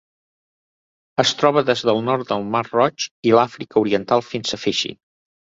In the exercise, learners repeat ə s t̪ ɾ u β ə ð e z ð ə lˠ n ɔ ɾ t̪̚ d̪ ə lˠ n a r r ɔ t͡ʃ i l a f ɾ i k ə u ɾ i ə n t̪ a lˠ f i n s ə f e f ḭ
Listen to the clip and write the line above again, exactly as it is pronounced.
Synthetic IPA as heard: ə s t̪ ɾ ɔ β ə ð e z ð ə lˠ n ɔ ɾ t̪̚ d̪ ə lˠ m a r r ɔ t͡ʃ i l a f ɾ i k ə u ɾ i ə n t̪ a lˠ f i n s ə f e ʃ ḭ